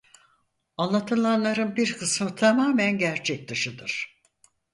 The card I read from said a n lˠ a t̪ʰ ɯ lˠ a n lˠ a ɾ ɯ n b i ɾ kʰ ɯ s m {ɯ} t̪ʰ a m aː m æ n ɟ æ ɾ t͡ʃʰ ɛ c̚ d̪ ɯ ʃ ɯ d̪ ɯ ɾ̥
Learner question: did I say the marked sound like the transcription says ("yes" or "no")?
yes